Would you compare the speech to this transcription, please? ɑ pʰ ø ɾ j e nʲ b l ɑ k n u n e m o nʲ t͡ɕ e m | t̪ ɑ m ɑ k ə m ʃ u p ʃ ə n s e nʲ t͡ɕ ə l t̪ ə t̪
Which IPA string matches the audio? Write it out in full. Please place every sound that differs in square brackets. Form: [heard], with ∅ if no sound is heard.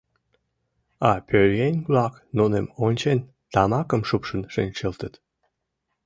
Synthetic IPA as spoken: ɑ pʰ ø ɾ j e nʲ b l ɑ k n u n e m o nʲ t͡ɕ e [n] | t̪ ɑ m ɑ k ə m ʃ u p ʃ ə n [ʃ] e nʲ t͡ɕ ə l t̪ ə t̪